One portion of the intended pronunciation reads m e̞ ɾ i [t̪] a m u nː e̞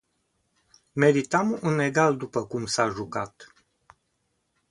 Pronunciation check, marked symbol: correct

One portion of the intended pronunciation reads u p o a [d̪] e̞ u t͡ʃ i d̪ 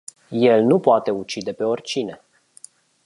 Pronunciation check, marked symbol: incorrect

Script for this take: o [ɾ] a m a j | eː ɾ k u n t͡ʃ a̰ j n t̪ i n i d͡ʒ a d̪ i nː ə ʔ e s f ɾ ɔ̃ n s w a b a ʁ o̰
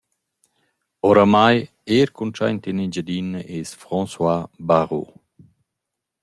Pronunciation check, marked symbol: correct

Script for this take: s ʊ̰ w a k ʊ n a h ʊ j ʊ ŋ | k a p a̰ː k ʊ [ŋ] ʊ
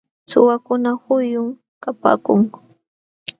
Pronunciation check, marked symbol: correct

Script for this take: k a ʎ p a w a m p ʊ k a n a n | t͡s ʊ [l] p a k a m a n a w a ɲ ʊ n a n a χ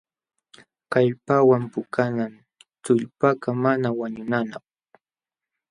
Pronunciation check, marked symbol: incorrect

